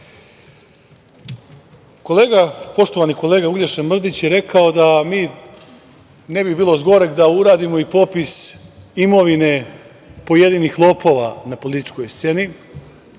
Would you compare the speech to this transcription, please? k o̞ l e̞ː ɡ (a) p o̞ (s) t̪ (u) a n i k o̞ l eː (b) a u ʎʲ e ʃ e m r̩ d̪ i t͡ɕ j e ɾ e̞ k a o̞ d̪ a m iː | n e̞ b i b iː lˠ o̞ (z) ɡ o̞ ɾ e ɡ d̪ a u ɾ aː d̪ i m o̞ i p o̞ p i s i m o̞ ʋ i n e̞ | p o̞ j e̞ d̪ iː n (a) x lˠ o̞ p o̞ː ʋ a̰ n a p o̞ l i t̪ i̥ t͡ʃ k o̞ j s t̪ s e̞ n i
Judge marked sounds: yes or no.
yes, no, no, no, yes, no

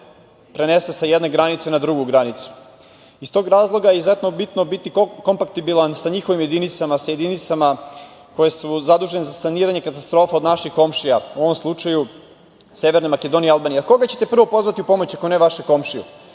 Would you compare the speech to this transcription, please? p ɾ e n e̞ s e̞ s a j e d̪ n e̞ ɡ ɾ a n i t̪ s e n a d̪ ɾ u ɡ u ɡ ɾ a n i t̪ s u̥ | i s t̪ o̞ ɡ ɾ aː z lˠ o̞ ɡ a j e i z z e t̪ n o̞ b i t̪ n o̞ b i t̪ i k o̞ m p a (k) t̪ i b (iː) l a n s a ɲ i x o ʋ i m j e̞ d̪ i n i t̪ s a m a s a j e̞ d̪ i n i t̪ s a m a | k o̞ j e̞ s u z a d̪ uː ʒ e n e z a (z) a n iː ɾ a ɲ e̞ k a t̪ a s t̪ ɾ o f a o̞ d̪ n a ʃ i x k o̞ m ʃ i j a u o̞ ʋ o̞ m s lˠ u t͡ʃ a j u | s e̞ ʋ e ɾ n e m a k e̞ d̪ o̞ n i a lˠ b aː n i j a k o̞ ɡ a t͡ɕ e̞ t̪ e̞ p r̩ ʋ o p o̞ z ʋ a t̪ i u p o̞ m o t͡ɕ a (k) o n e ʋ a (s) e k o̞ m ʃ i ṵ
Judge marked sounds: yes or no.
yes, no, no, yes, no

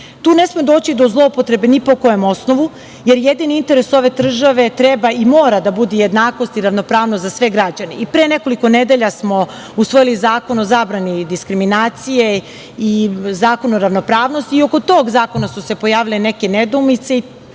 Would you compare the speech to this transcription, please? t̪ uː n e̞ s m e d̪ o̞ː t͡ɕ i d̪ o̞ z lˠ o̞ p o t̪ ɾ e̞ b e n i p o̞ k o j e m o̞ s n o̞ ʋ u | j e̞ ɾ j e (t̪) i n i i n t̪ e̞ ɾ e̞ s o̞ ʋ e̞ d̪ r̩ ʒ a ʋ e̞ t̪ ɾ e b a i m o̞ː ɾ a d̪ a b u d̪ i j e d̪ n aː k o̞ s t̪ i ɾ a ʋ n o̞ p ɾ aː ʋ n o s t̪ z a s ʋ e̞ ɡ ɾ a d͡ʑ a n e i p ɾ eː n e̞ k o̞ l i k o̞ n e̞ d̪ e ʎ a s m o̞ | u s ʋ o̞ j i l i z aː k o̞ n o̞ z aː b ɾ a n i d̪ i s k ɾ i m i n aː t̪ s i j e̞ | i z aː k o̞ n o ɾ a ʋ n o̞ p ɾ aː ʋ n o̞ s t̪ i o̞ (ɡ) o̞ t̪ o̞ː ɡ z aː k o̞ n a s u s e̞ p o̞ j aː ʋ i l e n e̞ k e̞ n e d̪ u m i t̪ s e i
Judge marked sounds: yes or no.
no, no

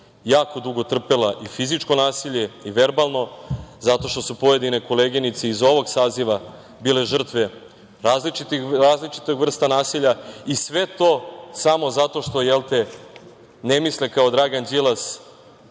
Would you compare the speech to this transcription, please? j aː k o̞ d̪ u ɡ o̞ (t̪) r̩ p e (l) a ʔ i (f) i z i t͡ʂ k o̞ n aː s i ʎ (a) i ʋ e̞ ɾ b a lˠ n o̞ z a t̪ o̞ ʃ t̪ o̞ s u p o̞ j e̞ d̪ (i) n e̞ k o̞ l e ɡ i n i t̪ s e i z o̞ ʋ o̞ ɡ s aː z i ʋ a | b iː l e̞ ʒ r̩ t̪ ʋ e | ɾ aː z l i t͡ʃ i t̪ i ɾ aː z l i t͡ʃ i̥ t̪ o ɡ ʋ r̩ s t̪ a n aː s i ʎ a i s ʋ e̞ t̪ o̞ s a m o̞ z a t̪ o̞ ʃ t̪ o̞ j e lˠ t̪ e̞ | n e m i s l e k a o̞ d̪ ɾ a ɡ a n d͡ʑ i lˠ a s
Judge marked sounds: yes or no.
yes, yes, yes, no, yes

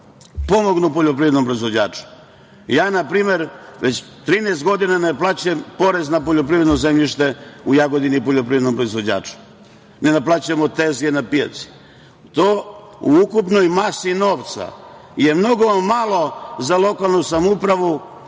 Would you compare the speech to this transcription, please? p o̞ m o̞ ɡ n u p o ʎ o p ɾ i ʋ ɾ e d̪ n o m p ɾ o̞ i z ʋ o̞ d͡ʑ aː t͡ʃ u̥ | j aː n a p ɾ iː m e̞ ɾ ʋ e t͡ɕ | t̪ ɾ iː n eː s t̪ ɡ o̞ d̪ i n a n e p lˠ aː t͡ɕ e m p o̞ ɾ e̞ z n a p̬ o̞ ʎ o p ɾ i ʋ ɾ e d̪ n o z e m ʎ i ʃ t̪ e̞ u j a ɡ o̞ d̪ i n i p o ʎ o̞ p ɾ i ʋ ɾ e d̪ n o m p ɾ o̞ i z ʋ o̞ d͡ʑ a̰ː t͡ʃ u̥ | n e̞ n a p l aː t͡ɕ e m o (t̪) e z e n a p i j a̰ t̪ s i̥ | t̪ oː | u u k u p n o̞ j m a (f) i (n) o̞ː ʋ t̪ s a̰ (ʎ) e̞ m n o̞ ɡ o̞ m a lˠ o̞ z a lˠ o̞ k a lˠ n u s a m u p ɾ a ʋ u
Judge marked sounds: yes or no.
yes, no, yes, no

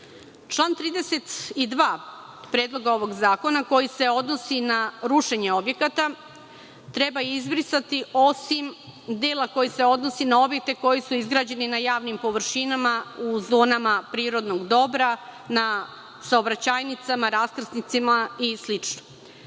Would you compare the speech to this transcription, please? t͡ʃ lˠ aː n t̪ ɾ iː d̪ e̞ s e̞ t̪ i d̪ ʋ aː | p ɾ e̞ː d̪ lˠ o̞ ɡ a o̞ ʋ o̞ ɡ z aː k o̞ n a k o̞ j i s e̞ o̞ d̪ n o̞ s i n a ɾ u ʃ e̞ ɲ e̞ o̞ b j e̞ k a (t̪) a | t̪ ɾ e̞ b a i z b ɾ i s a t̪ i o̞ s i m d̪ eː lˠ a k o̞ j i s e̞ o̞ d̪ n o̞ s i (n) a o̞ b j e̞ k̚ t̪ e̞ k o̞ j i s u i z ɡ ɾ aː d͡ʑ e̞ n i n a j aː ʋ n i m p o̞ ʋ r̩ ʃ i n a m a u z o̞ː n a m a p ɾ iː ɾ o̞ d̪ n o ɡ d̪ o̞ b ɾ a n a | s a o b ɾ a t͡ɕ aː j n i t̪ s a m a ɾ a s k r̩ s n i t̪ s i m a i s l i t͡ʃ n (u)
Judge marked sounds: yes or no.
yes, yes, no

